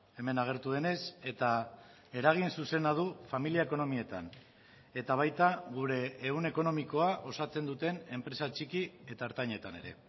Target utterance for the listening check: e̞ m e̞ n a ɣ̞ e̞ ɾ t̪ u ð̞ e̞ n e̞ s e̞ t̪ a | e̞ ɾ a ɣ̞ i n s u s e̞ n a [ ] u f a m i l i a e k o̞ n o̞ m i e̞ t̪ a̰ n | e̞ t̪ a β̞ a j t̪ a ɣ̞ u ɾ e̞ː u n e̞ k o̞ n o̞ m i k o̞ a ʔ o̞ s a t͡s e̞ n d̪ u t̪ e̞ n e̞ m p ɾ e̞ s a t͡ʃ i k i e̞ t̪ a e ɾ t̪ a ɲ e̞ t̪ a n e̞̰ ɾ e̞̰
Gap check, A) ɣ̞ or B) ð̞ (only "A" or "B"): B